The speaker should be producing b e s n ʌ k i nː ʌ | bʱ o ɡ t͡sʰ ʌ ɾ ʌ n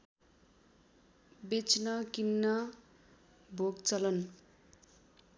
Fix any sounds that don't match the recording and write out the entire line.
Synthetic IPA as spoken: b e t͡s n ʌ k i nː ʌ | bʱ o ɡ t͡s ʌ l ʌ n